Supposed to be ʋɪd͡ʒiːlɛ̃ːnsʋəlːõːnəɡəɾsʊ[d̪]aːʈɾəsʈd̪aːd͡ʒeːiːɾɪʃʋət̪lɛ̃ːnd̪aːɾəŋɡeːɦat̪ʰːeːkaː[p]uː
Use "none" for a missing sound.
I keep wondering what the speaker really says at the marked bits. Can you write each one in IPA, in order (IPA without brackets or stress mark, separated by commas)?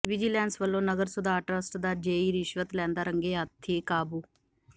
d̪, b